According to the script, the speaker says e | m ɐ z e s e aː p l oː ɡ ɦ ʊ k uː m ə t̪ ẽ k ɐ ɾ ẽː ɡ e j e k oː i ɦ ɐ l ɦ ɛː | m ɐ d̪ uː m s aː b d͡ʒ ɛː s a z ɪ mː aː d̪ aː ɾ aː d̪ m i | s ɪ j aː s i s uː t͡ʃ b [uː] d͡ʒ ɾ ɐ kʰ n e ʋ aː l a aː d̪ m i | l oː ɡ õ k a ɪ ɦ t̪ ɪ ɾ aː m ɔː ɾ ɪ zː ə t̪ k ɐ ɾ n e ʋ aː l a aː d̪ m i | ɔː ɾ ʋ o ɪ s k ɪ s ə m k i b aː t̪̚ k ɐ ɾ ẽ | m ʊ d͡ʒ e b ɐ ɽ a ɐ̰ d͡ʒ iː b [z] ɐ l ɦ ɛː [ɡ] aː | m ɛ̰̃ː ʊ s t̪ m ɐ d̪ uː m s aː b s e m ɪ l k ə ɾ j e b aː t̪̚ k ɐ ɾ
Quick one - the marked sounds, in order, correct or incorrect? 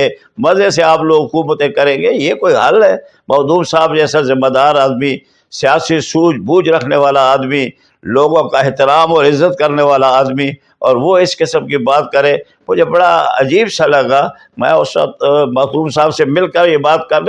correct, incorrect: s, correct

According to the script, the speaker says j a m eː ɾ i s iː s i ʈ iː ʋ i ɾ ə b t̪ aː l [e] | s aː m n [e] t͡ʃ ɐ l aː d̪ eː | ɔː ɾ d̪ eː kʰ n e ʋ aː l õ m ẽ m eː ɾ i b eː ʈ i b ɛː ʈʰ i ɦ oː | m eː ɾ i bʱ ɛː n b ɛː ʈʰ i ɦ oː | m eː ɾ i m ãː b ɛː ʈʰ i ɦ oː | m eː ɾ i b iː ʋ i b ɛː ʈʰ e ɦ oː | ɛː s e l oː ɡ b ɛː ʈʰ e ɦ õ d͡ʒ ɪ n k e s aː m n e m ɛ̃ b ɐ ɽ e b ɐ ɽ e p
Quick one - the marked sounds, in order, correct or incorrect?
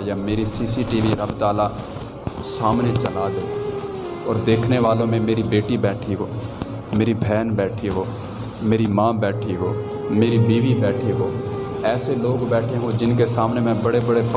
incorrect: a, correct

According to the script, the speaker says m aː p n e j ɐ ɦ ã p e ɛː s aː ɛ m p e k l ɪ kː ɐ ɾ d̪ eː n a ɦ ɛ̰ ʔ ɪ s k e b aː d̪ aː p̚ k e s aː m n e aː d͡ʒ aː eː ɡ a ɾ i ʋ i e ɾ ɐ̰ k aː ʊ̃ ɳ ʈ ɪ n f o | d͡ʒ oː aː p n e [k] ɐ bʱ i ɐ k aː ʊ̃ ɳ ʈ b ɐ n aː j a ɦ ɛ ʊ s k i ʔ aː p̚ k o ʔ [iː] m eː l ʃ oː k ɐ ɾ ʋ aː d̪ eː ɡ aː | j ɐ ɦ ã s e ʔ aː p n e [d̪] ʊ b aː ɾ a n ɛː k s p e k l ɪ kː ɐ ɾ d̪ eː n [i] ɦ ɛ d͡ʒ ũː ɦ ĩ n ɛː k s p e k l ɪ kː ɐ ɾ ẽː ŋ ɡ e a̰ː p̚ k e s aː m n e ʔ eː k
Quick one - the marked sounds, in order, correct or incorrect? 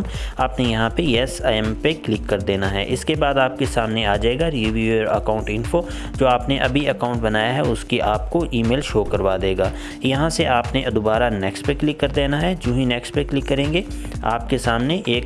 incorrect: ʔ, correct, correct, incorrect: a

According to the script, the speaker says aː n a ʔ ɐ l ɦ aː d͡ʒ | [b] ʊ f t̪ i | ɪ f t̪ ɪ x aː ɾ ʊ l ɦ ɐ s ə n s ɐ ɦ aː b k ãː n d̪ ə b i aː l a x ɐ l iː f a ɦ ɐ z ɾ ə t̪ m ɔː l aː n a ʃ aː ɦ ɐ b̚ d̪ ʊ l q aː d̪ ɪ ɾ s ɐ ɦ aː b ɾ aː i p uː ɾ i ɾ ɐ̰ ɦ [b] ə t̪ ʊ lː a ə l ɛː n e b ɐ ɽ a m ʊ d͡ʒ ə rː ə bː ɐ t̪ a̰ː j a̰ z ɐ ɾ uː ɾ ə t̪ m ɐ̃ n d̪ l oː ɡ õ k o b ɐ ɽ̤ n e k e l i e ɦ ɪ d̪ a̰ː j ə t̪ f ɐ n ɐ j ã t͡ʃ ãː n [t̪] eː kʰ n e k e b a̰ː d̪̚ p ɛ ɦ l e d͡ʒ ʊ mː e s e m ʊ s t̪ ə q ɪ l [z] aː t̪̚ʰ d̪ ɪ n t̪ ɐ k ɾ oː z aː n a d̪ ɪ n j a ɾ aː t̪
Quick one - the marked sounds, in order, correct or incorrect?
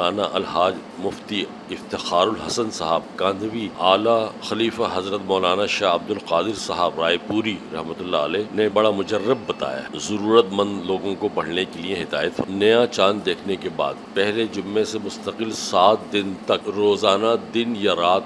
incorrect: m, incorrect: m, incorrect: d̪, incorrect: s

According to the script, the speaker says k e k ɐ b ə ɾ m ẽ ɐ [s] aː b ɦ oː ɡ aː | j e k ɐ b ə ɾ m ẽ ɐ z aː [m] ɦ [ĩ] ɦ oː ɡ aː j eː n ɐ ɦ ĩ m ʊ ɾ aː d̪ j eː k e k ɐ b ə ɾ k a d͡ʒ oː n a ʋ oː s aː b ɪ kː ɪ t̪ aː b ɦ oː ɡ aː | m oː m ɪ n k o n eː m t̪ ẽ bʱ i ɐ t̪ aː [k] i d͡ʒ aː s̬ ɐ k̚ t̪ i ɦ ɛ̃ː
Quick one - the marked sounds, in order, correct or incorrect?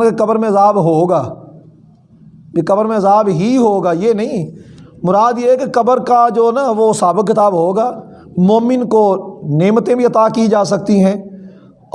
incorrect: z, incorrect: b, incorrect: i, correct

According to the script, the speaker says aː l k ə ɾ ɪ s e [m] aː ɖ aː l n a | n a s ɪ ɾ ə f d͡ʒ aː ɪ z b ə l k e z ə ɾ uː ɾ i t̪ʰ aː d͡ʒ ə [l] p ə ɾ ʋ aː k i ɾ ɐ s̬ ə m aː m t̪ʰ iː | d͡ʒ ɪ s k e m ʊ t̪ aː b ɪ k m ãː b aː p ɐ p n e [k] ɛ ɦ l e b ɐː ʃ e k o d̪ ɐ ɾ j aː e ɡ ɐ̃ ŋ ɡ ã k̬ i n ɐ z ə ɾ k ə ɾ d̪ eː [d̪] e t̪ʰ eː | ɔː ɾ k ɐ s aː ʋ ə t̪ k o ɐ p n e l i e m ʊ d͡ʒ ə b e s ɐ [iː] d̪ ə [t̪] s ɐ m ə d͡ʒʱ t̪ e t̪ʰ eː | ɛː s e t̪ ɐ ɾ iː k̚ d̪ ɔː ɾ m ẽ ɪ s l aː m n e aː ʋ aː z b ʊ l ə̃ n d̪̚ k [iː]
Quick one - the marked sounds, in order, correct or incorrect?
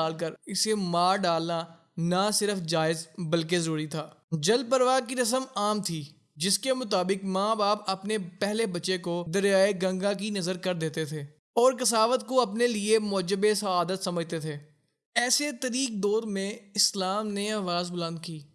correct, correct, incorrect: p, incorrect: t̪, incorrect: aː, correct, correct

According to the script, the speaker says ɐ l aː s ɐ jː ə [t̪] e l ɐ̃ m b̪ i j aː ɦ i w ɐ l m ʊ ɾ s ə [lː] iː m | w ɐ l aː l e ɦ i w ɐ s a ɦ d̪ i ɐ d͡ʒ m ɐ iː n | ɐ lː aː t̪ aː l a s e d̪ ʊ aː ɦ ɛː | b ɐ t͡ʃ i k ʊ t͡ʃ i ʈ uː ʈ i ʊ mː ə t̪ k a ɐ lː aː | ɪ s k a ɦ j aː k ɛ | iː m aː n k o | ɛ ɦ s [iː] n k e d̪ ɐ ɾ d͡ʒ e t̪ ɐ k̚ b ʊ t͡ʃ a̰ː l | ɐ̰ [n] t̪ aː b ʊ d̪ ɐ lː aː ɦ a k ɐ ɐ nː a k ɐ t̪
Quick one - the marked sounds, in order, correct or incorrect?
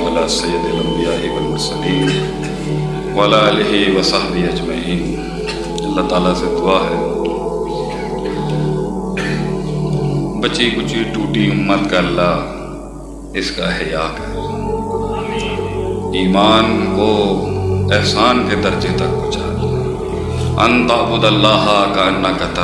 incorrect: d̪, incorrect: l, incorrect: aː, correct

